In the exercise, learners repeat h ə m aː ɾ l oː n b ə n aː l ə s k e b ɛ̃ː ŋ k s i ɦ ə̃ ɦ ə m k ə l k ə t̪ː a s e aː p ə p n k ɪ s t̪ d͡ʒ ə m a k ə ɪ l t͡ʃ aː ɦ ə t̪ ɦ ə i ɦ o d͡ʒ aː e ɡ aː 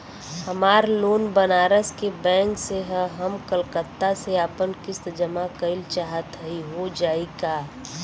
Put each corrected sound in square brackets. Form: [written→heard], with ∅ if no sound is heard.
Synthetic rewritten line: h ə m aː ɾ l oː n b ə n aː [l→ɾ] ə s k e b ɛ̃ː ŋ k s [i→e] ɦ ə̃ ɦ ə m k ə l k ə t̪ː a s e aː p ə [p→∅] n k ɪ s t̪ d͡ʒ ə m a k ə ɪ l t͡ʃ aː ɦ ə t̪ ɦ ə i ɦ o d͡ʒ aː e ɡ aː